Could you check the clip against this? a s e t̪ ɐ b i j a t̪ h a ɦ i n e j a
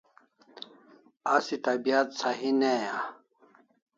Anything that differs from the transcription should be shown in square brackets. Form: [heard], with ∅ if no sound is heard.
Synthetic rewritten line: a s [i] t̪ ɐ b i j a t̪ [s] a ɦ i n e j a